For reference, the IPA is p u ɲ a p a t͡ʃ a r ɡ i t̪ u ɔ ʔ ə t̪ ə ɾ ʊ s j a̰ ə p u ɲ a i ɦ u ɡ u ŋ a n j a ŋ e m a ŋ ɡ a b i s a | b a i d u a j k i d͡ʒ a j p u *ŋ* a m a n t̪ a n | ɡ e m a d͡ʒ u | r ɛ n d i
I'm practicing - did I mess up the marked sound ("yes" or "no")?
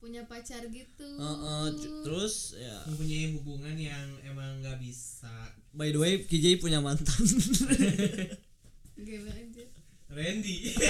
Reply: yes